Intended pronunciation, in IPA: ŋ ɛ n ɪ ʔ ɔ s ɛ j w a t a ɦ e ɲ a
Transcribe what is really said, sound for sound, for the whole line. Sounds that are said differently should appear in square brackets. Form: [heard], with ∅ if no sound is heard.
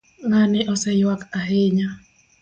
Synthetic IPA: ŋ [a] n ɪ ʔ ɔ s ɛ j w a [k] a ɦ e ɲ a